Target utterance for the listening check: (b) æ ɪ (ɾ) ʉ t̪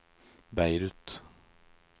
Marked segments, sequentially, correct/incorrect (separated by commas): correct, correct